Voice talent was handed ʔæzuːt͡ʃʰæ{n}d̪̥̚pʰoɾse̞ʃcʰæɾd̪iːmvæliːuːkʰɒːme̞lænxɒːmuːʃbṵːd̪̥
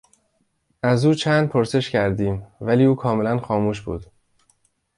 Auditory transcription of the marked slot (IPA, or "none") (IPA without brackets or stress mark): n